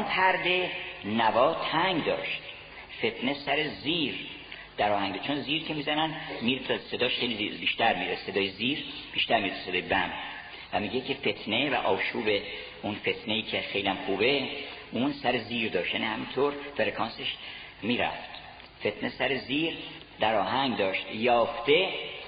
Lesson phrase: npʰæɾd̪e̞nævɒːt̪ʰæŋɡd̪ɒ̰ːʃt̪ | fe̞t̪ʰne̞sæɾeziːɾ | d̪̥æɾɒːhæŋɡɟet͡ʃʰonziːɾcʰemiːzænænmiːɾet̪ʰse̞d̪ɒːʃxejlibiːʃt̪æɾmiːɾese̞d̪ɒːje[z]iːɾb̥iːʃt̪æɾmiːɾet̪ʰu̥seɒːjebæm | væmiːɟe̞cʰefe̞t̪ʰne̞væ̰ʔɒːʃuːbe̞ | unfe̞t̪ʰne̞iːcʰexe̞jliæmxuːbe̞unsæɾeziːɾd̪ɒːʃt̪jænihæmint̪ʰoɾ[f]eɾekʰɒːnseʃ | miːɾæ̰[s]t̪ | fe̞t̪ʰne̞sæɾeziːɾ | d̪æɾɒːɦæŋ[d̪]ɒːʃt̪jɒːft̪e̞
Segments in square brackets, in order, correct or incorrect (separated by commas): correct, correct, incorrect, correct